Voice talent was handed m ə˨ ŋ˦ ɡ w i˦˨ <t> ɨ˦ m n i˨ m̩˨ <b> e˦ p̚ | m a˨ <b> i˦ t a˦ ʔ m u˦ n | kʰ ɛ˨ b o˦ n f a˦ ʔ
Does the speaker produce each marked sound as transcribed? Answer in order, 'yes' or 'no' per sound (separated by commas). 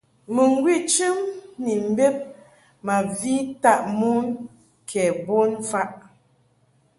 no, yes, no